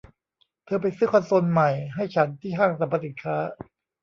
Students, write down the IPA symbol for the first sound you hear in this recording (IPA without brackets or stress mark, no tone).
t̪ʰ